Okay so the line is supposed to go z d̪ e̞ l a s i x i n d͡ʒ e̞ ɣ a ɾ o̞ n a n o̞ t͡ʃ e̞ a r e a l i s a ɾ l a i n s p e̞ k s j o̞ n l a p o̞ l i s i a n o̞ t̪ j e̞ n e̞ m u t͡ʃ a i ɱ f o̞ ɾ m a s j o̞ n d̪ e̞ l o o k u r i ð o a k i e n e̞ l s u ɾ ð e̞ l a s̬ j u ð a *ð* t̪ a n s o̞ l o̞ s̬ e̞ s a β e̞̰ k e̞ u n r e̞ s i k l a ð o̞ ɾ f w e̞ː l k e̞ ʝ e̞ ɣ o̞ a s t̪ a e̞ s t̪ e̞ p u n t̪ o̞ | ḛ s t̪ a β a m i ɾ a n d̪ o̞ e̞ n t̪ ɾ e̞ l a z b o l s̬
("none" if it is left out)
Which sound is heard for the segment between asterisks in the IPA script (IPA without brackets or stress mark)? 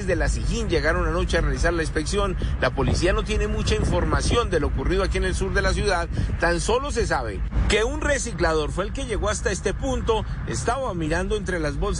ð